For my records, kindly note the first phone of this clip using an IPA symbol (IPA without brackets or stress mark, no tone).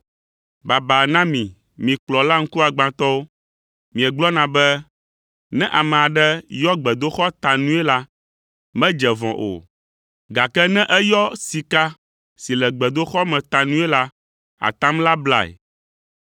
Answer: b